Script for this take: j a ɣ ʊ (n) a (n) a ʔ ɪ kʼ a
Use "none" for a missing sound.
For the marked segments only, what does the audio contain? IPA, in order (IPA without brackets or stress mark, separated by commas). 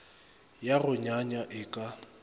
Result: ɲ, ɲ